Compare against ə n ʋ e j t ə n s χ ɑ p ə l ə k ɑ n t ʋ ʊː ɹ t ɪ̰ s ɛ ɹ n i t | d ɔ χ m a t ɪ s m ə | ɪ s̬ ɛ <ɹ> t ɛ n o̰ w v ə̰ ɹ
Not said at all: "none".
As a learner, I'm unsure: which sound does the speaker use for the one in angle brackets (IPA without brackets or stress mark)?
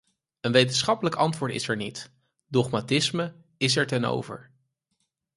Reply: ɹ